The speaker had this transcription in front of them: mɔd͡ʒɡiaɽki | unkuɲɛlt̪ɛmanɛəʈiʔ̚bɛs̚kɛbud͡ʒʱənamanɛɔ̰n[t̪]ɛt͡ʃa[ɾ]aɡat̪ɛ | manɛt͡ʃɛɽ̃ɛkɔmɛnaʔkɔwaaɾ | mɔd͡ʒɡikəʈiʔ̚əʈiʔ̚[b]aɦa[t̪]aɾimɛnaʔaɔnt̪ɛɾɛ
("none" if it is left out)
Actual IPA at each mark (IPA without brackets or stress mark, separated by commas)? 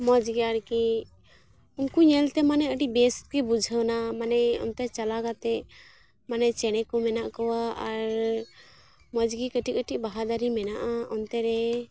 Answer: t̪, l, b, d̪